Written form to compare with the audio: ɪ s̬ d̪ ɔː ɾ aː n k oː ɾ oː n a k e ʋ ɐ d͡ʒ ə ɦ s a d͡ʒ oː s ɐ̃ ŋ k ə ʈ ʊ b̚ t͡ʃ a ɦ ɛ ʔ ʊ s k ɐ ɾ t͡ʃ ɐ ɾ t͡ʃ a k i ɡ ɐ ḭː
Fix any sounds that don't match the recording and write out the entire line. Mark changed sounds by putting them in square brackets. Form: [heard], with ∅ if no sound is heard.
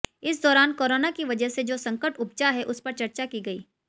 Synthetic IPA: ɪ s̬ d̪ ɔː ɾ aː n k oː ɾ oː n a k [i] ʋ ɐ d͡ʒ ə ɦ s [e] d͡ʒ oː s ɐ̃ ŋ k ə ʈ ʊ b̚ t͡ʃ a ɦ ɛ ʔ ʊ s [p] ɐ ɾ t͡ʃ ɐ ɾ t͡ʃ a k i ɡ ɐ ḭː